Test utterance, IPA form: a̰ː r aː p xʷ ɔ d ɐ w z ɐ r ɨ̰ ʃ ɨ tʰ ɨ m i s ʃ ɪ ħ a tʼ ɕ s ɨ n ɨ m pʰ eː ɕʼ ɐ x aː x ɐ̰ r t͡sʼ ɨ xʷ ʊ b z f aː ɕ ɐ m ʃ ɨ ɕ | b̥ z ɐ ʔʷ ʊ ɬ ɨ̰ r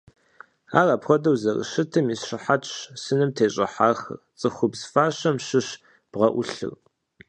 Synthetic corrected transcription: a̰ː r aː p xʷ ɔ d ɐ w z ɐ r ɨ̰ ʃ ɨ tʰ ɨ m i s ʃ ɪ ħ a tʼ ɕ s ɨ n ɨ m tʰ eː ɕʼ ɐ ħ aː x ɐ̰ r t͡sʼ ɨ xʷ ʊ b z f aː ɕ ɐ m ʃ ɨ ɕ | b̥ ʁ ɐ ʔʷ ʊ ɬ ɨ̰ r